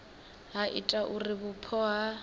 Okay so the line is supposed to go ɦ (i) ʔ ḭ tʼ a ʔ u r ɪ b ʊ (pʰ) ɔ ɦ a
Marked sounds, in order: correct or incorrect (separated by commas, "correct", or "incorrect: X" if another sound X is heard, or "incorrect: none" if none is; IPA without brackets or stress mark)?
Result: incorrect: a, correct